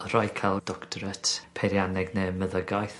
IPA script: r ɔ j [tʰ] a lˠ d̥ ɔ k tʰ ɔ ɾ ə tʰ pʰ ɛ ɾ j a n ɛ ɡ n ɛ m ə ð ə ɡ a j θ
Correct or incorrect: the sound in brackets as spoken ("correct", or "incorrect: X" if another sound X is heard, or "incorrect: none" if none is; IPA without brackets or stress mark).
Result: incorrect: kʰ